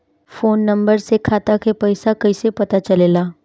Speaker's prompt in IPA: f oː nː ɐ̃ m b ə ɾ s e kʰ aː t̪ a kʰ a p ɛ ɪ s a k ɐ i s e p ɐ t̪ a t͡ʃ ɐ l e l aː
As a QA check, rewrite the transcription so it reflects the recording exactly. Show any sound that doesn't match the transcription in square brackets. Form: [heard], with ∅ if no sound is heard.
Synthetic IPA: f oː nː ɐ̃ m b ə ɾ s e kʰ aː t̪ a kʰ [e] p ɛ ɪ s a k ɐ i s e p ɐ t̪ a t͡ʃ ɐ l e l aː